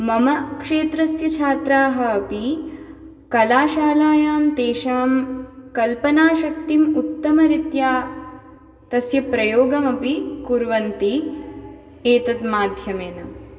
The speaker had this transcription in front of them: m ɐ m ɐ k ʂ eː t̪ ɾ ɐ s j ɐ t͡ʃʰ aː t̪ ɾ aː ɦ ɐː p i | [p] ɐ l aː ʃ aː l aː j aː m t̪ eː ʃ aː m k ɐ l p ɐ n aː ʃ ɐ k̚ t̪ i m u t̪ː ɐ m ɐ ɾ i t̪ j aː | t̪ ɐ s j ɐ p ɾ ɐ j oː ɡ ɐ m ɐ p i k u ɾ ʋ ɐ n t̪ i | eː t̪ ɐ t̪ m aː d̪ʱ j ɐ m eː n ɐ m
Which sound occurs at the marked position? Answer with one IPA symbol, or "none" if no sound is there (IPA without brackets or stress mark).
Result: k